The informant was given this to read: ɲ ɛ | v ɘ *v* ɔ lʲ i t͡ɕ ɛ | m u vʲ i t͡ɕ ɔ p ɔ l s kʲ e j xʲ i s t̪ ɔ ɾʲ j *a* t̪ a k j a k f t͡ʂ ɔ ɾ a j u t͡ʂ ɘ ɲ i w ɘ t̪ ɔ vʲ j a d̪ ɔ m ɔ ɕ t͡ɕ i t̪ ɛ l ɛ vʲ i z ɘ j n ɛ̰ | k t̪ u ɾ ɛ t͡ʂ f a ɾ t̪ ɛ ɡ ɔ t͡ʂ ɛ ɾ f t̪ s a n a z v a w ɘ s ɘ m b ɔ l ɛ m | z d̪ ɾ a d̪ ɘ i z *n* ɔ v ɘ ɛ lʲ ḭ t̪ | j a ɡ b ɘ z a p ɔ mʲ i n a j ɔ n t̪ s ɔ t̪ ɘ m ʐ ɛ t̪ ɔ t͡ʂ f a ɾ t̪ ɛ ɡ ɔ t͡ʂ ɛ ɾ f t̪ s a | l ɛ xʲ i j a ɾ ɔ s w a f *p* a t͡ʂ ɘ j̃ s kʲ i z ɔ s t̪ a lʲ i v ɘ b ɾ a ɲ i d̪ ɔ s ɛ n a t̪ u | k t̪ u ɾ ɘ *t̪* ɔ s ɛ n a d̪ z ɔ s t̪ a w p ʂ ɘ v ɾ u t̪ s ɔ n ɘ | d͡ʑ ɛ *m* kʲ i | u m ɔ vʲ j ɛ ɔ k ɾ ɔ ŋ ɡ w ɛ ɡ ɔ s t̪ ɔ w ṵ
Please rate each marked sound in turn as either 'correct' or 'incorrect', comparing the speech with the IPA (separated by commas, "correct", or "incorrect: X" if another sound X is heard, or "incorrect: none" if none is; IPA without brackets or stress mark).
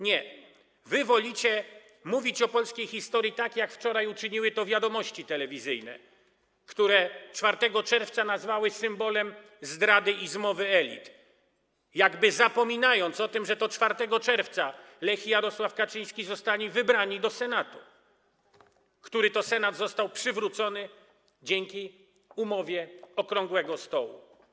correct, incorrect: i, incorrect: m, incorrect: k, correct, incorrect: ŋ